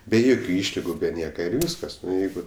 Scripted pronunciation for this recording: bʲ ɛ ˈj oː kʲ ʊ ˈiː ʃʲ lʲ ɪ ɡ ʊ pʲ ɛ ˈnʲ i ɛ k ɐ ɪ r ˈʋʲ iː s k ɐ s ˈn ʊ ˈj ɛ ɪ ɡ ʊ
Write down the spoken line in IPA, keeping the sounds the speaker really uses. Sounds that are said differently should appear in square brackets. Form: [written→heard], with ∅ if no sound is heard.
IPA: bʲ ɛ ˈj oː kʲ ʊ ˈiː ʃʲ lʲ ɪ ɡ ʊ [pʲ→bʲ] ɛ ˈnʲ i ɛ k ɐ ɪ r ˈʋʲ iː s k ɐ s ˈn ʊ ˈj ɛ ɪ ɡ ʊ